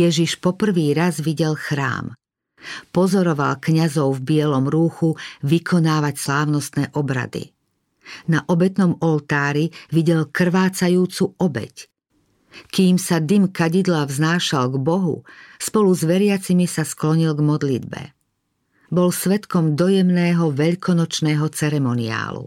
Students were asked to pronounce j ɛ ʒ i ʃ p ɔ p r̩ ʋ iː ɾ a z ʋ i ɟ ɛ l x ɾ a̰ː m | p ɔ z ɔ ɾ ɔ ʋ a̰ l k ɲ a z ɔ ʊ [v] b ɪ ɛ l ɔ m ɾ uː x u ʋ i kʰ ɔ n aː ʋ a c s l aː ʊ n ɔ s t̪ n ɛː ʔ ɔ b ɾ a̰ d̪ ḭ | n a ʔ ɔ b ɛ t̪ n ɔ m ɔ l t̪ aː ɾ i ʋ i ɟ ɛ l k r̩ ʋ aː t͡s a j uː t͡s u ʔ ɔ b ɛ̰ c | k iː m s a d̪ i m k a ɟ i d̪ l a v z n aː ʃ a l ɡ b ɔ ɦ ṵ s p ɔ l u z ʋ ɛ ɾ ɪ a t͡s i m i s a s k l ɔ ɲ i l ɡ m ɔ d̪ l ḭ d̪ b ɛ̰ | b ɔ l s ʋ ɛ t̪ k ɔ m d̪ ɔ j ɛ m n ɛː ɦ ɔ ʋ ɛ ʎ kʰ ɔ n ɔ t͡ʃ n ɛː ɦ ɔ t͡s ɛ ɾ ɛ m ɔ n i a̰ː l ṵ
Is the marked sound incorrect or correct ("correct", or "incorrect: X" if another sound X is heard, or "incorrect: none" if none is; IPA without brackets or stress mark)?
correct